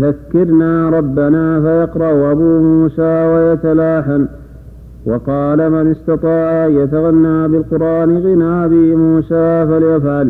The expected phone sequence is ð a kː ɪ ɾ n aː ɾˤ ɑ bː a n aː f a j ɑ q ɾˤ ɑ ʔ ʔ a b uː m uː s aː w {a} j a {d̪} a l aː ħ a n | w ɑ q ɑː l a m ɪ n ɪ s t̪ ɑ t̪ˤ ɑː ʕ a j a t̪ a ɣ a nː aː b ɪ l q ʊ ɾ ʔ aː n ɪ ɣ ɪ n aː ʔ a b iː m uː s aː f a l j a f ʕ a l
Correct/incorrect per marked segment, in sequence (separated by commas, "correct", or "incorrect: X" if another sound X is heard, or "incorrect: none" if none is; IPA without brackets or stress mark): correct, incorrect: t̪